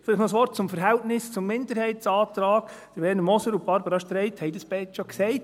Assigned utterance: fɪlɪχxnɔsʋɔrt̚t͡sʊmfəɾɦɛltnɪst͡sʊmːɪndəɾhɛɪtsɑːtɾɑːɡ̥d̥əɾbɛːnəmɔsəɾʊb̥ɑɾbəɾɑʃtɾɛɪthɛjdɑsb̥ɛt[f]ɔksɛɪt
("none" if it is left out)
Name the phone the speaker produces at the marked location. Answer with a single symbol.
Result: ʃ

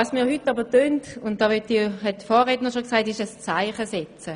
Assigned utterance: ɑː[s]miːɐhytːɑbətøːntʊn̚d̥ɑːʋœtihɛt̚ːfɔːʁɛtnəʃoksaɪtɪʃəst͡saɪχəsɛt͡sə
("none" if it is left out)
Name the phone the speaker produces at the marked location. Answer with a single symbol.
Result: s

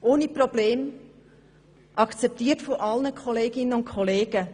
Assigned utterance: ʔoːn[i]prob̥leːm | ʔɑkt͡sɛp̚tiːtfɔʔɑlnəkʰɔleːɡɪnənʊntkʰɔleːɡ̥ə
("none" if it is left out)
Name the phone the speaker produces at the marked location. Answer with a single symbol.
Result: i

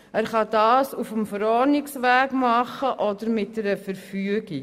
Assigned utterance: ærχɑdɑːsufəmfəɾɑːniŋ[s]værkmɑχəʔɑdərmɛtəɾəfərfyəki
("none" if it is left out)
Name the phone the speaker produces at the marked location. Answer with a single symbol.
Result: s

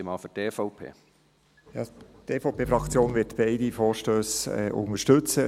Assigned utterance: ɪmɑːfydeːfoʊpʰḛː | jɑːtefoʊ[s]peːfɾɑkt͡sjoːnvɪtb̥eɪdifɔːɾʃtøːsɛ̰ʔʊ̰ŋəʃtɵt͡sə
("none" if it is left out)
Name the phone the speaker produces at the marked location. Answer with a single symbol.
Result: none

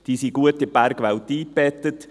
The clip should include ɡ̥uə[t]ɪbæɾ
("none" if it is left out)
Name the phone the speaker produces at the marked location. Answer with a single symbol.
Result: t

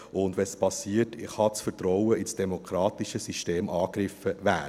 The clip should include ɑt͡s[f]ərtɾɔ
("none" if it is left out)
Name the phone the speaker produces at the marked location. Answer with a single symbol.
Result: f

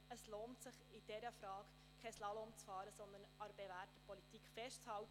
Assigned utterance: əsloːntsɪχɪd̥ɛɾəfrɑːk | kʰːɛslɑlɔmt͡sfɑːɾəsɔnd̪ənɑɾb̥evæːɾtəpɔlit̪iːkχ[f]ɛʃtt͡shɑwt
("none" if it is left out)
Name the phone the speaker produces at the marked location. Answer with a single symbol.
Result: f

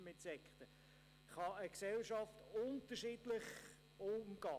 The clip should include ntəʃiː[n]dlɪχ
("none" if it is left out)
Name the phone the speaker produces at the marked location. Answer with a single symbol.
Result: none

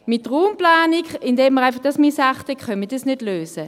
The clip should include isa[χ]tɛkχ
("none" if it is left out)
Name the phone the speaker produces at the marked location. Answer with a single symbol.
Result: χ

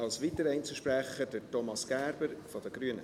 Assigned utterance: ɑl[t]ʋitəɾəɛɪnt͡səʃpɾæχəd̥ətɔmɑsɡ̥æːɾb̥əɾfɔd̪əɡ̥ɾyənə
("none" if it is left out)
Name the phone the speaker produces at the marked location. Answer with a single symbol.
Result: s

